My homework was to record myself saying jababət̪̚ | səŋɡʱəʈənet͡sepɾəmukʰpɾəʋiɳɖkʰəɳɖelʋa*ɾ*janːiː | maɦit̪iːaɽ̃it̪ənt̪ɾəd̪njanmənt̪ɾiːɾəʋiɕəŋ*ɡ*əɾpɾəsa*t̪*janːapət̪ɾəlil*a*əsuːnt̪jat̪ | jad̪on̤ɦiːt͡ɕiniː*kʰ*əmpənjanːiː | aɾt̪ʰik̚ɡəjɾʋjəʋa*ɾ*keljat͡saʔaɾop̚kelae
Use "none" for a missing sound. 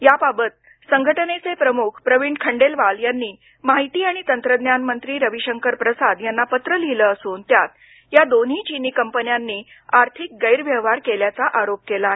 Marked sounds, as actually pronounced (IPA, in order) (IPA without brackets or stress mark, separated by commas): l, k, d̪, ə, k, ɾ